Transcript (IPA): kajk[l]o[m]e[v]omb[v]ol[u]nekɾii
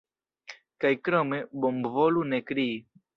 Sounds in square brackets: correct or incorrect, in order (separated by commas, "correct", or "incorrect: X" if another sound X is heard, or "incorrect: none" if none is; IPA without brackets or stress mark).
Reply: incorrect: ɾ, correct, incorrect: b, correct, correct